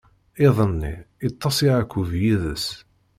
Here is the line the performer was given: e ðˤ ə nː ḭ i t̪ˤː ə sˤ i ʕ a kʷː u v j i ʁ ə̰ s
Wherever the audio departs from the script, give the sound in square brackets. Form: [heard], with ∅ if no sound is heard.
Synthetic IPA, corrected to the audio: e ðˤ ə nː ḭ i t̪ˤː [ɑ] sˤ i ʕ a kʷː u v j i [ð] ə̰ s